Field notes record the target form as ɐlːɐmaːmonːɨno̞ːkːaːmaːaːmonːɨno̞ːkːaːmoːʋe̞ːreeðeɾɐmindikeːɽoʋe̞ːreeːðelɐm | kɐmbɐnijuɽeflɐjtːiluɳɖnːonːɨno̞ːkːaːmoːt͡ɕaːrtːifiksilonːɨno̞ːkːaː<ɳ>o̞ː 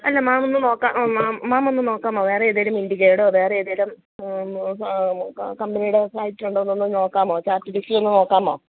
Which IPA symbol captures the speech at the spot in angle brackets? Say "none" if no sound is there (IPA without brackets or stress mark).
m